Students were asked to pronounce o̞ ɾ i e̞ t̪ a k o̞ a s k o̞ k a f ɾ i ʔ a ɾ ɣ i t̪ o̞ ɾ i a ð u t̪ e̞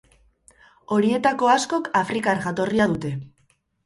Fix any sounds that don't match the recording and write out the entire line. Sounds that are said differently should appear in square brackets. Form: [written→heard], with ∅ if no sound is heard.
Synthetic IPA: o̞ ɾ i e̞ t̪ a k o̞ a s k o̞ k a f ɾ i [ʔ→k] a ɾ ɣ [i→a] t̪ o̞ [ɾ→r] i a ð u t̪ e̞